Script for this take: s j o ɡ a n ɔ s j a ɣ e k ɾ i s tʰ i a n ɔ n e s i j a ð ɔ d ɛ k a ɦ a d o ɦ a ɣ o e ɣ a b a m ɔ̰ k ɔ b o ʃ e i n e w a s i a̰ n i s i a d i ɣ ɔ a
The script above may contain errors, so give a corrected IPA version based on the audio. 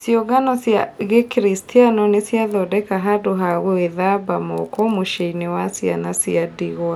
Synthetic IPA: s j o ɡ a n ɔ s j a ɣ e k ɾ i s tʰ i a n ɔ n e s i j a ð ɔ d ɛ k a ɦ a d o ɦ a ɣ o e ð a b a m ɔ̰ k ɔ m o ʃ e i n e w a s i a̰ n a s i a d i ɣ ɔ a

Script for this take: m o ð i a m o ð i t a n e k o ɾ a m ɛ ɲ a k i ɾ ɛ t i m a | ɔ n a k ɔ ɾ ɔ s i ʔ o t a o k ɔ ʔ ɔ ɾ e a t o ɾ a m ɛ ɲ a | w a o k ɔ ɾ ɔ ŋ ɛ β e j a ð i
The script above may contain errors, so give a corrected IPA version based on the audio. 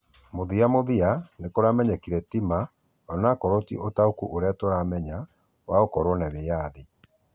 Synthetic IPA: m o ð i a m o ð i a n e k o ɾ a m ɛ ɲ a k i ɾ ɛ t i m a | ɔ n a k ɔ ɾ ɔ t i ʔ o t a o k u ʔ o ɾ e a t o ɾ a m ɛ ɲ a | w a o k ɔ ɾ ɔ n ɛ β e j a ð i

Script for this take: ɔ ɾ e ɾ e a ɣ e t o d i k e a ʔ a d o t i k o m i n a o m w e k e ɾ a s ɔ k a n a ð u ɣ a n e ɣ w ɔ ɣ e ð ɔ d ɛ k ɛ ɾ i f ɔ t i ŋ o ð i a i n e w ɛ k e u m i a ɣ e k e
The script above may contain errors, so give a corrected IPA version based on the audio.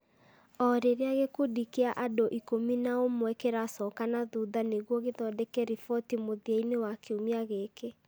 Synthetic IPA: ɔ ɾ e ɾ e a ɣ e k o d i k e a ʔ a d o ʔ i k o m i n a o m w ɛ k e ɾ a s ɔ k a n a ð u ð a n e ɣ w ɔ ɣ e ð ɔ d ɛ k ɛ ɾ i f ɔ t i m o ð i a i n e w a k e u m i a ɣ e k e

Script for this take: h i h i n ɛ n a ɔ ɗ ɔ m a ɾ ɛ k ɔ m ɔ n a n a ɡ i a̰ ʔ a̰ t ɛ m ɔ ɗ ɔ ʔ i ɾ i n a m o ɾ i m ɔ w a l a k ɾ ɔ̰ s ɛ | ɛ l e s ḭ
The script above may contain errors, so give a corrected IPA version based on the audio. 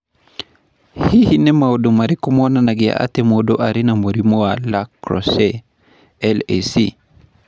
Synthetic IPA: h i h i n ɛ m a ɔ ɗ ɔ m a ɾ i k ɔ m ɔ n a n a ɡ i a̰ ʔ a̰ t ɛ m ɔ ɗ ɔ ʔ a ɾ i n a m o ɾ i m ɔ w a l a k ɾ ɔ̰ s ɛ | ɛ l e s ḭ

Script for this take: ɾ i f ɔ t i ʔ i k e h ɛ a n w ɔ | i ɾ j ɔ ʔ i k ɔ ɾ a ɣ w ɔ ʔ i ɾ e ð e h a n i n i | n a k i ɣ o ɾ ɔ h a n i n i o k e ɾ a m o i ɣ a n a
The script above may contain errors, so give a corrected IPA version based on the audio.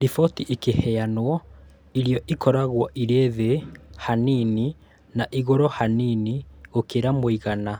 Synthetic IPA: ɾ i f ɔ t i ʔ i k e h ɛ a n w ɔ | i ɾ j ɔ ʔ i k ɔ ɾ a ɣ w ɔ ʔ i ɾ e ð e h a n i n i | n a ʔ i ɣ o ɾ ɔ h a n i n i o k e ɾ a m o i ɣ a n a

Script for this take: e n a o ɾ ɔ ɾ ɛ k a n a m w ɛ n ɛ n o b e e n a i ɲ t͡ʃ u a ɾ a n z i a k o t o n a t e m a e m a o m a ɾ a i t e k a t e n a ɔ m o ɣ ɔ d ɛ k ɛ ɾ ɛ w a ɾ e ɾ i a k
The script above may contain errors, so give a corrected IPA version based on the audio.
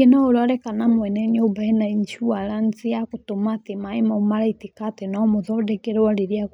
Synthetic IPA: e n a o ɾ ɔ ɾ ɛ k a n a m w ɛ n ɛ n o b a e n a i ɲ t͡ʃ u a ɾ a n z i a k o t o m a t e m a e m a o m a ɾ a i t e k a t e n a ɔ m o ð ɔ d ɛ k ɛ ɾ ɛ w a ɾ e ɾ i a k

